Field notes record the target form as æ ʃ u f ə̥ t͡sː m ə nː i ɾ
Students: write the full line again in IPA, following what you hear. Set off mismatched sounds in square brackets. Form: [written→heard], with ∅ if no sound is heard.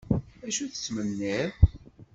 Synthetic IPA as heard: æ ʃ u [f→θ] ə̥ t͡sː m ə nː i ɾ